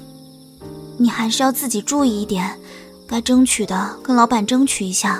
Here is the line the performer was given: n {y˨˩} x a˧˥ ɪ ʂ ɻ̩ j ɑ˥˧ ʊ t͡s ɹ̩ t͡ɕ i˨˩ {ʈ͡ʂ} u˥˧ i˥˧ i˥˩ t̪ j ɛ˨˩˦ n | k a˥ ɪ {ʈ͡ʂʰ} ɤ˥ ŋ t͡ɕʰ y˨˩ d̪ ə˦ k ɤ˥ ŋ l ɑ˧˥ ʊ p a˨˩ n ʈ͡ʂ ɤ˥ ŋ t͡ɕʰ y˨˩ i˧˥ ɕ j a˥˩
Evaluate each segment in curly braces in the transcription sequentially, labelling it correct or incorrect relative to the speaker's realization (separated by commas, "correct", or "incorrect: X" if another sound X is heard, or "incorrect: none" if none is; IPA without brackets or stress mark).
incorrect: i˨˩, correct, incorrect: ʈ͡ʂ